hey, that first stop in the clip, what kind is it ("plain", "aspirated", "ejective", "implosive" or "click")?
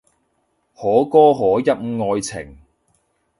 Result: plain